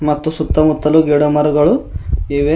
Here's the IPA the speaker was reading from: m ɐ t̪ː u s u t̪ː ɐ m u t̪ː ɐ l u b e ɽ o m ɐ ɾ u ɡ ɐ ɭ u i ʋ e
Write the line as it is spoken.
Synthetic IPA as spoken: m ɐ t̪ː u s u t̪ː ɐ m u t̪ː ɐ l u ɡ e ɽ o m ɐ ɾ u ɡ ɐ ɭ u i ʋ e